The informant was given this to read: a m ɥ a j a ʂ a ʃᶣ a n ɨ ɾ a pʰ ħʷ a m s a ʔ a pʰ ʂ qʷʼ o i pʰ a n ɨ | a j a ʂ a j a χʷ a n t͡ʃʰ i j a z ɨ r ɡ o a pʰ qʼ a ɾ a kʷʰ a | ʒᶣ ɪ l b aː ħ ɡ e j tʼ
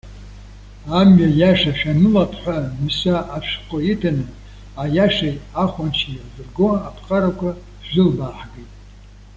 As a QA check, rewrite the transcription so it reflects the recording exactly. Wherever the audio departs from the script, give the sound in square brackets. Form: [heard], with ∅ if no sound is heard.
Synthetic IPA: a m ɥ a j a ʂ a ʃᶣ a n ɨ [l] a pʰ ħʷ a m s a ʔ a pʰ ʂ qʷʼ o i [tʰ] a n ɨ | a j a ʂ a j a χʷ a n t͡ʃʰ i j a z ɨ r ɡ o a pʰ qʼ a ɾ a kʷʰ a | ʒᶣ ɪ l b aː ħ ɡ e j tʼ